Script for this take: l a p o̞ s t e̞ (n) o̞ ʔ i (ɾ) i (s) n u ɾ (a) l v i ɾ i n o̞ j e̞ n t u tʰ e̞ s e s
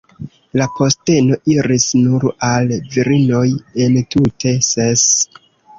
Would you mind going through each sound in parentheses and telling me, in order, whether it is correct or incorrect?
correct, correct, correct, correct

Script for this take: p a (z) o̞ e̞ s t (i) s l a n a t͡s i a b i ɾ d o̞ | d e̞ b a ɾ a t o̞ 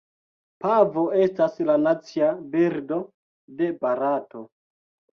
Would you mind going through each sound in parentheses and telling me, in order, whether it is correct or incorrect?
incorrect, incorrect

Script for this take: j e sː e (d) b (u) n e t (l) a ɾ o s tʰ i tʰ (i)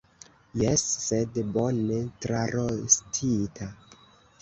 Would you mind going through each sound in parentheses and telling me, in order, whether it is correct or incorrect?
correct, incorrect, incorrect, incorrect

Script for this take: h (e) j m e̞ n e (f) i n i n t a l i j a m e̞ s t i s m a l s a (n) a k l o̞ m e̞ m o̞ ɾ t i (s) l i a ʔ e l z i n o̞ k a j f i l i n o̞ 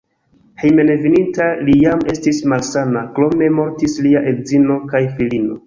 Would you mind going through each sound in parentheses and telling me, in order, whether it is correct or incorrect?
correct, incorrect, correct, correct

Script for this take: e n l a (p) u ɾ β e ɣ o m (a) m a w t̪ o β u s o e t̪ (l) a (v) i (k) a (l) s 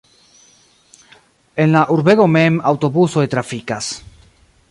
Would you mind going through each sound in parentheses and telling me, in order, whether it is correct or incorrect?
incorrect, incorrect, incorrect, incorrect, correct, incorrect

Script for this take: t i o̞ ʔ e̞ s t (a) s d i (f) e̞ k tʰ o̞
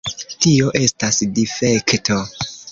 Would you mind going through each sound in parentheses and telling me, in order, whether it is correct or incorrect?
correct, correct

